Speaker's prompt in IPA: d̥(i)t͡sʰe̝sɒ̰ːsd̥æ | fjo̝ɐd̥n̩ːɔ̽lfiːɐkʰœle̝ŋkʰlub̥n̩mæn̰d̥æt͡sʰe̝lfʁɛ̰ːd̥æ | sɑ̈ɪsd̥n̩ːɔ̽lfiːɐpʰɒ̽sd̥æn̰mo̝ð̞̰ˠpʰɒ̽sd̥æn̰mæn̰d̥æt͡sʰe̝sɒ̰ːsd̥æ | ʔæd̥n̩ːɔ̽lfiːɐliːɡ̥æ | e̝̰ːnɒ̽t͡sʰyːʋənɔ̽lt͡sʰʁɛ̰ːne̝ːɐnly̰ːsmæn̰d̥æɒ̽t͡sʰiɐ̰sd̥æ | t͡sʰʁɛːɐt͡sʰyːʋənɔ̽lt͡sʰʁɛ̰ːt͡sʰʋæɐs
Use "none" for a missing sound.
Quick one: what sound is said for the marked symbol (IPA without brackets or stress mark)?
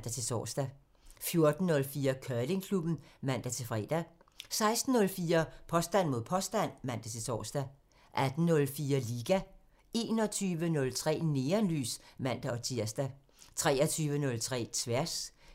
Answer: æ